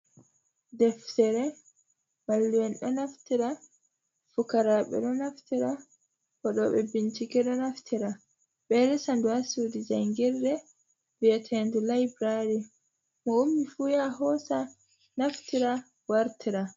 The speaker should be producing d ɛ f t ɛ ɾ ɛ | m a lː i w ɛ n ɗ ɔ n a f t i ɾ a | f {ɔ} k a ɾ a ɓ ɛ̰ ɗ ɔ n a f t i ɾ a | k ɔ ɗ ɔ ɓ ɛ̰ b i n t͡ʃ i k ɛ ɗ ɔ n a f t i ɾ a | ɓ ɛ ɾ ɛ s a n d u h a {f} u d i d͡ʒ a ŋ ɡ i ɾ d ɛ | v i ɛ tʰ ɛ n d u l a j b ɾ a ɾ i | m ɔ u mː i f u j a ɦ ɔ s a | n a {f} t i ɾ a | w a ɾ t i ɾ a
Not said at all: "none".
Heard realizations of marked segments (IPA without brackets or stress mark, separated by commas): u, s, f